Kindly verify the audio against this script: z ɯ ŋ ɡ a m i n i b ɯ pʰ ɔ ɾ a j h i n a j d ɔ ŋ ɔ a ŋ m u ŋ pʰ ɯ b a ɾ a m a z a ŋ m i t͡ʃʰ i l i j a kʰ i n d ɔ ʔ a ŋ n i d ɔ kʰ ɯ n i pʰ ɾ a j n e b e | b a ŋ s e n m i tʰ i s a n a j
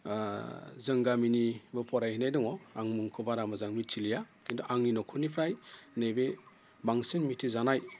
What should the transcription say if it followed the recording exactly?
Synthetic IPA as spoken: z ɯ ŋ ɡ a m i n i b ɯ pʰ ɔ ɾ a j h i n a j d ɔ ŋ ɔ a ŋ m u ŋ kʰ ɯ b a ɾ a m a z a ŋ m i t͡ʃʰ i l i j a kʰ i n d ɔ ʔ a ŋ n i n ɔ kʰ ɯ n i pʰ ɾ a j n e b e | b a ŋ s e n m i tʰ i z a n a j